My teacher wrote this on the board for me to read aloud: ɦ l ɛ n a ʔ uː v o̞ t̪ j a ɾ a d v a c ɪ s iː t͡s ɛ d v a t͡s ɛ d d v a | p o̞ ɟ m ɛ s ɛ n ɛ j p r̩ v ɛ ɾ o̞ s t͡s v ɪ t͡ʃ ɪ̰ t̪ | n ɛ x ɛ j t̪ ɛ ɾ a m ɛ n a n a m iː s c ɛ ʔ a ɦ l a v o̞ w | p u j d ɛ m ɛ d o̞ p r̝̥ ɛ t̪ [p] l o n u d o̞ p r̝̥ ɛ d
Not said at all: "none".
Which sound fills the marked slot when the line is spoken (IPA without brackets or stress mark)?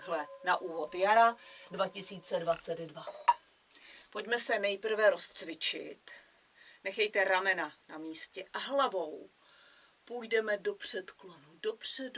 k